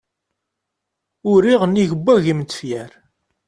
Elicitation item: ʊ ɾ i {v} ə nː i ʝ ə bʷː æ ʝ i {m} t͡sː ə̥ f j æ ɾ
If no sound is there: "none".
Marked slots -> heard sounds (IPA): ʁ, m

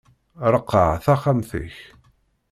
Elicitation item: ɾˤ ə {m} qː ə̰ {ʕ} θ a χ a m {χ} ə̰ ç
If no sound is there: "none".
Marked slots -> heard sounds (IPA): none, ʕ, θ

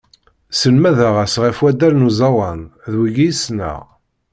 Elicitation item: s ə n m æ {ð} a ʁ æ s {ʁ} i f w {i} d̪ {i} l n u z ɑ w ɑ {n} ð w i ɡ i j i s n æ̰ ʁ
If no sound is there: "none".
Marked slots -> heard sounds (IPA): ð, ʁ, æ, æ, n

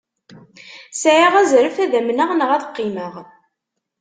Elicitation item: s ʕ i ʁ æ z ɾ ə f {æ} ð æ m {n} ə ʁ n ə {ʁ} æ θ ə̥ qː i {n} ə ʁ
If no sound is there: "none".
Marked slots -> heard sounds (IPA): æ, n, ʁ, m

